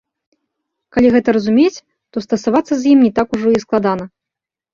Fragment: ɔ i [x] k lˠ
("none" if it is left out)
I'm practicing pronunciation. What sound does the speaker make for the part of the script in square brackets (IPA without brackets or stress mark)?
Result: s